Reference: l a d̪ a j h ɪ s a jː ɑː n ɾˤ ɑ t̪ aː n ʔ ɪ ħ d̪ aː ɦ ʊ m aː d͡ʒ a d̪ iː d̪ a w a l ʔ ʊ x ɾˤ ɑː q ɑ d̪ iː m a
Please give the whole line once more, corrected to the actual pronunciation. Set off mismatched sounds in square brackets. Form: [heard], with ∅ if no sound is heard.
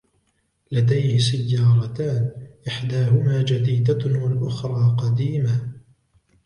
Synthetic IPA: l a d̪ a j h ɪ s a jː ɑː [∅] ɾˤ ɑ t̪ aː n ʔ ɪ ħ d̪ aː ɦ ʊ m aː d͡ʒ a d̪ iː d̪ a w a l ʔ ʊ x ɾˤ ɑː q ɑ d̪ iː m a